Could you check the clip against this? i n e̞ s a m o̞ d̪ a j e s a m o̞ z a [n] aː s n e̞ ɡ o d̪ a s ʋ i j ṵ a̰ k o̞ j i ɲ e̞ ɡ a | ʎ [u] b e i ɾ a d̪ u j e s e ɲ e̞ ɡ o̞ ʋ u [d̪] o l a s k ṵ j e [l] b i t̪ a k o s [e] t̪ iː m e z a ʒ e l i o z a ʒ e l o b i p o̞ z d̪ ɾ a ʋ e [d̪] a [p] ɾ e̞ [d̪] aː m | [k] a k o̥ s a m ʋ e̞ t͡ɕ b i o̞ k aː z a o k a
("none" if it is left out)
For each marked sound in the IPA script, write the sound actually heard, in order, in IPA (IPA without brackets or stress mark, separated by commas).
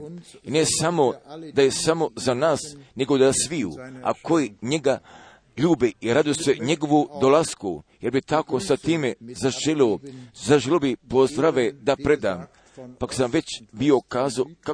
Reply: n, uː, d̪, ɾ, a, d̪, p, d̪, p